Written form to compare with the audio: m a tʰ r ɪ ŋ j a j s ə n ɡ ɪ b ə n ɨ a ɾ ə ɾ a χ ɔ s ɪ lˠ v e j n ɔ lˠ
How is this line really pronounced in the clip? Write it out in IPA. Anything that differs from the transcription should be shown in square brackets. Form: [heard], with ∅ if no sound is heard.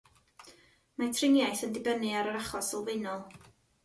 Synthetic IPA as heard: m a tʰ r ɪ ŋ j a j [θ] ə n [d] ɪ b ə n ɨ a ɾ ə ɾ a χ ɔ s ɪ lˠ v e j n ɔ lˠ